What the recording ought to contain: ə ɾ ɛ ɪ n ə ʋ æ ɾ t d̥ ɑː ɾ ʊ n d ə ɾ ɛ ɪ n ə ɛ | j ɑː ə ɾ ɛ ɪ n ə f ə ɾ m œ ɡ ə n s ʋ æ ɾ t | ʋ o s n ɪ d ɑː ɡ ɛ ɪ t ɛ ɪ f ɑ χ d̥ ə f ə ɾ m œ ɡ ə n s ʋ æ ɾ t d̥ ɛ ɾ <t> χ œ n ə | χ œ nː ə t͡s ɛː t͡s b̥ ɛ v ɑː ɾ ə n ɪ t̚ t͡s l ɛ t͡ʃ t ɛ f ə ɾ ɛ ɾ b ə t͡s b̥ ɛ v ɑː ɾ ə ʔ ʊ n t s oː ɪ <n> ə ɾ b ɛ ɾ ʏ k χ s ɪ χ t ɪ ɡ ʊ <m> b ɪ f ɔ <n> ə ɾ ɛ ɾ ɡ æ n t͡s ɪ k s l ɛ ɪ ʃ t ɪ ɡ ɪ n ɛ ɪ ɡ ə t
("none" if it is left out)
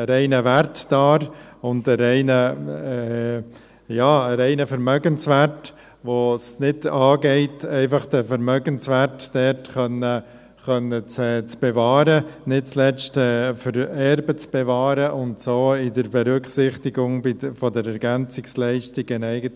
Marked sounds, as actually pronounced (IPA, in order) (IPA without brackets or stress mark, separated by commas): t, d, ŋ, d